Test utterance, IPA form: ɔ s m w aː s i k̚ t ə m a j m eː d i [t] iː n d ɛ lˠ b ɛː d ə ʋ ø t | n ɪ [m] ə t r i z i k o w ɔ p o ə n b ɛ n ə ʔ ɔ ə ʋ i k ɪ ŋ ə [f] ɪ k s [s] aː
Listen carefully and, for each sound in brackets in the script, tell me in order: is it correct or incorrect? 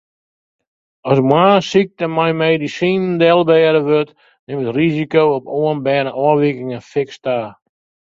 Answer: incorrect, correct, correct, incorrect

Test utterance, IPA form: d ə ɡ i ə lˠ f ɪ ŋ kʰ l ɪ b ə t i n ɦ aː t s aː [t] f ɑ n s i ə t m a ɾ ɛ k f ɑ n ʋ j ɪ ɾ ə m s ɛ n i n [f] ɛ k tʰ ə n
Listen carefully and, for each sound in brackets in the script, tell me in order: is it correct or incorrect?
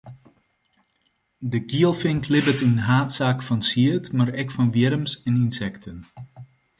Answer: incorrect, incorrect

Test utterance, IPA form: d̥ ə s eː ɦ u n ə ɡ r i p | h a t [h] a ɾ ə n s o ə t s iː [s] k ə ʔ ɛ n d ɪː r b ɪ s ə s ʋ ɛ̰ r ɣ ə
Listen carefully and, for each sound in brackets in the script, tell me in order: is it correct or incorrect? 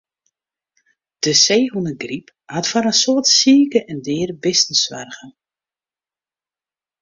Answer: incorrect, incorrect

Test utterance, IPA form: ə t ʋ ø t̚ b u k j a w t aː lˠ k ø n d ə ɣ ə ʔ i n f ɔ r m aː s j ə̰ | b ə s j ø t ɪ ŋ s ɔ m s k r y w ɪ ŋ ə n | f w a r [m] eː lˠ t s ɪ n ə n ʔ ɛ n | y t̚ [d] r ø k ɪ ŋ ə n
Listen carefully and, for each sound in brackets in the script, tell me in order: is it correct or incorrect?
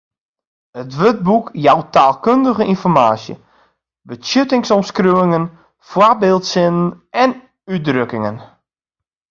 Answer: incorrect, correct

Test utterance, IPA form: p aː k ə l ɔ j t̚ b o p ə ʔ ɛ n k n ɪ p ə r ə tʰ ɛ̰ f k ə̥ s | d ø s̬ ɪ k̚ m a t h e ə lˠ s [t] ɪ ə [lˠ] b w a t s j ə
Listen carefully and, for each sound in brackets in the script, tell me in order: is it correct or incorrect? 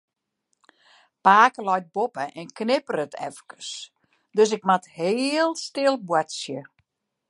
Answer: correct, correct

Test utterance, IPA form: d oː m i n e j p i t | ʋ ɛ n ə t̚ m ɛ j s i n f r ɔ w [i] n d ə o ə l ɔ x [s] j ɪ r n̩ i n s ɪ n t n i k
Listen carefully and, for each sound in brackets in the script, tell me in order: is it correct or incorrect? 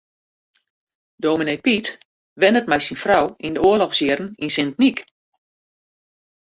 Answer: correct, correct

